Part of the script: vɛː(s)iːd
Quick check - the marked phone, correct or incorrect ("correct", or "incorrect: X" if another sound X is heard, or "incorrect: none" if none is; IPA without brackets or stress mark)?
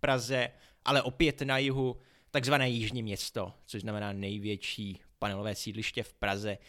correct